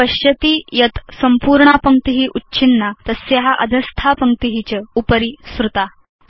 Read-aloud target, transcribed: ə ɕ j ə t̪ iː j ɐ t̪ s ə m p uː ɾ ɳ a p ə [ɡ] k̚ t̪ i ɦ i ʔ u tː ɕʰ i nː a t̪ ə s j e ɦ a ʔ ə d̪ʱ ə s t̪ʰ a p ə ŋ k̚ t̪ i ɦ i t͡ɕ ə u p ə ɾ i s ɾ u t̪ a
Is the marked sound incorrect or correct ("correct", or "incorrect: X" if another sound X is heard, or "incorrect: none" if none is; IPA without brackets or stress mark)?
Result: incorrect: ŋ